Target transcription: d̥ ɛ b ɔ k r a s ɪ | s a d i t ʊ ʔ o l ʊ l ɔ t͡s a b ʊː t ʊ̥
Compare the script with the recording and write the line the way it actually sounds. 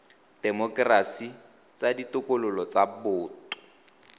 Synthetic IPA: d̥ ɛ m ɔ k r a s i | t͡s a d i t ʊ k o l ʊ l ɔ t͡s a b ʊː t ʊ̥